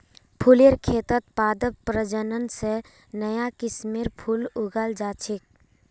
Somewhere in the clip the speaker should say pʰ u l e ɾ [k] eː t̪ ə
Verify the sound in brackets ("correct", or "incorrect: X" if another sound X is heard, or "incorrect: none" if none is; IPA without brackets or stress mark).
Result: incorrect: kʰ